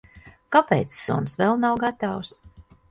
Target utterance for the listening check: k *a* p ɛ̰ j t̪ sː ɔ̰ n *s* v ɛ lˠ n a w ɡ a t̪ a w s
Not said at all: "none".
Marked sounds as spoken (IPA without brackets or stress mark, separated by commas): a, s